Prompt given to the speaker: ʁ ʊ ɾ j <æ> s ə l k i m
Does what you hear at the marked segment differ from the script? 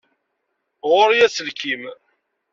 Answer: no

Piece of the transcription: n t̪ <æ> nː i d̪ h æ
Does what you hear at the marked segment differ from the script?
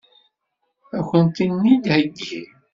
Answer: yes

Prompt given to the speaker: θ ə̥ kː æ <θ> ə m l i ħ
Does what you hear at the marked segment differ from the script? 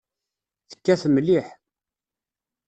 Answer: no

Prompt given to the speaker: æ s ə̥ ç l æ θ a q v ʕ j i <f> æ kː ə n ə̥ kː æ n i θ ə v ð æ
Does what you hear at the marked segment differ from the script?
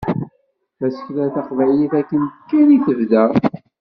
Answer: yes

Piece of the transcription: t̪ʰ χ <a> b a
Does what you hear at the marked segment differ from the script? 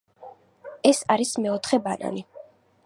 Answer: yes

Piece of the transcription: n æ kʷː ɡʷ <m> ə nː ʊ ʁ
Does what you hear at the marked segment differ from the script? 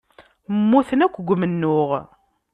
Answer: no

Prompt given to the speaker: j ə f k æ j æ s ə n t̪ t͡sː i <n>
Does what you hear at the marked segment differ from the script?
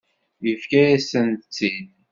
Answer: no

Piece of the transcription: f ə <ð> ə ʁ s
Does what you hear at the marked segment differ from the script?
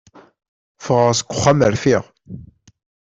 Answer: yes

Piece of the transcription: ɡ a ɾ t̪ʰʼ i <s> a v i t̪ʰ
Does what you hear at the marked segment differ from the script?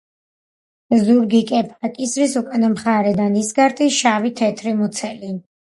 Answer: yes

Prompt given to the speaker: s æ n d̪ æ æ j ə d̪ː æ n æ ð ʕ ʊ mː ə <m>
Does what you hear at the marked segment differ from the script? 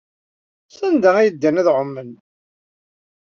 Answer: yes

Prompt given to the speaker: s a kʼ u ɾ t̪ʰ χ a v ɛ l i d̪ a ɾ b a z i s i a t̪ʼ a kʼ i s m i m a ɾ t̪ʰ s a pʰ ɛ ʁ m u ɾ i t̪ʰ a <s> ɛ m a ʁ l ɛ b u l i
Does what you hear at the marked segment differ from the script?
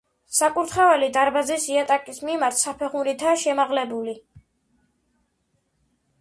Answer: yes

